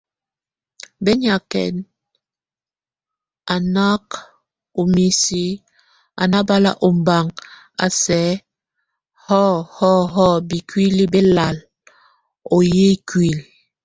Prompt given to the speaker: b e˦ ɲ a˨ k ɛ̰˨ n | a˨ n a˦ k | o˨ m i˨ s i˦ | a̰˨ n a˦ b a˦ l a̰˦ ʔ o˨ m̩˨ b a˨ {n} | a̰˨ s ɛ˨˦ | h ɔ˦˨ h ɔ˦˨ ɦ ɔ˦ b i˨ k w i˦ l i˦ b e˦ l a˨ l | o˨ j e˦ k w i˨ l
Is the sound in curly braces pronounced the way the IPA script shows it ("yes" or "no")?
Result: no